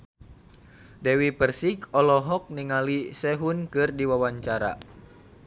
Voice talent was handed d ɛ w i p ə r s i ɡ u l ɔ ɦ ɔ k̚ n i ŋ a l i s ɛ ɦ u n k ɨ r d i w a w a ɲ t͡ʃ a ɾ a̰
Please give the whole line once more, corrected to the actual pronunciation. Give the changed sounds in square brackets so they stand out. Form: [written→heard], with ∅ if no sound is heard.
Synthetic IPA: d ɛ w i p ə r s i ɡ [u→ɔ] l ɔ ɦ ɔ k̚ n i ŋ a l i s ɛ ɦ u n k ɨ r d i w a w a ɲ t͡ʃ a ɾ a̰